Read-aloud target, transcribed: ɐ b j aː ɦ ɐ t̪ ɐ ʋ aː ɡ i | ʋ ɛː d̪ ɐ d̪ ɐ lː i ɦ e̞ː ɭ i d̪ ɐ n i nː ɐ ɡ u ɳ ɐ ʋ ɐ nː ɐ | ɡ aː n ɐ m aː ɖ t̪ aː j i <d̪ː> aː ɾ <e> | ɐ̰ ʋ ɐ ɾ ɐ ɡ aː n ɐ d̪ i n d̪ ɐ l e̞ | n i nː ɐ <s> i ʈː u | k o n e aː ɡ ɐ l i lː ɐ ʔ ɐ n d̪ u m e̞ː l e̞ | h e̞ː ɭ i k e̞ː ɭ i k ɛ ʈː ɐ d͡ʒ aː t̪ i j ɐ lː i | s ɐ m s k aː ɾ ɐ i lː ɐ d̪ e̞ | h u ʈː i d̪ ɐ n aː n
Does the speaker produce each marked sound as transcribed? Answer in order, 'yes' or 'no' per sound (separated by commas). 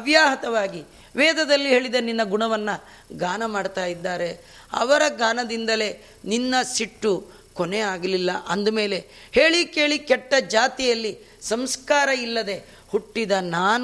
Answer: yes, yes, yes